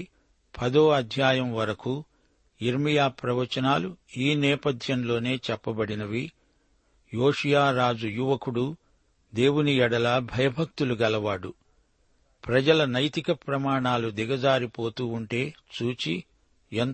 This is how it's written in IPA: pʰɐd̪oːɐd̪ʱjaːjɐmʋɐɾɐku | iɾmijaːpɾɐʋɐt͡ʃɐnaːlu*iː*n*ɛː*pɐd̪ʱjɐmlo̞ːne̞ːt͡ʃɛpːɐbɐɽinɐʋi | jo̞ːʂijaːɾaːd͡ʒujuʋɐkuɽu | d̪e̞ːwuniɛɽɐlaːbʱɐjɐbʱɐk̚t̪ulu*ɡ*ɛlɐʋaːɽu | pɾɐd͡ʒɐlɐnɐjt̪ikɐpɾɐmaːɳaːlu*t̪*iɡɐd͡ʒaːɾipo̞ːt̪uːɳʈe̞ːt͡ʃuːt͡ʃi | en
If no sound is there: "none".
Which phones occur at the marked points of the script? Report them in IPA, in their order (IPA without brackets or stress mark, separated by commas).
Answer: iː, ɛː, ɡ, d̪